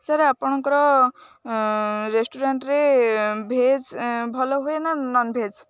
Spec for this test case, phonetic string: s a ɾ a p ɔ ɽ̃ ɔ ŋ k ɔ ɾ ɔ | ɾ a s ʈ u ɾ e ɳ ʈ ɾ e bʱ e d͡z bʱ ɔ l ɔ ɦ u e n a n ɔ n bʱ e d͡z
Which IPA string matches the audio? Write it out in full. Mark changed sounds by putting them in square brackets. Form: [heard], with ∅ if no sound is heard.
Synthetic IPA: s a ɾ a p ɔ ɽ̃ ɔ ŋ k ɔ ɾ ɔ | ɾ [e] s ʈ u ɾ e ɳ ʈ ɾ e bʱ e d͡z bʱ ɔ l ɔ ɦ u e n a n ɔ n bʱ e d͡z